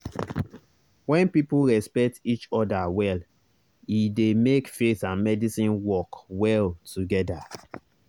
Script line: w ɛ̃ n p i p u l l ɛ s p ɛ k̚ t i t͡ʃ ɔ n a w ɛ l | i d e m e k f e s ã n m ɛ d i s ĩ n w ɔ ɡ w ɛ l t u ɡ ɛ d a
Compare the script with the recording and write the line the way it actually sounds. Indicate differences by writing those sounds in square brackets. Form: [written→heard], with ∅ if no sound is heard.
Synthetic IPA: w ɛ̃ n p i p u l [l→ɹ] ɛ s p ɛ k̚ t i t͡ʃ ɔ [n→d] a w ɛ l | i d e m e k f e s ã n m ɛ d i s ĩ n w ɔ [ɡ→k] w ɛ l t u ɡ ɛ d a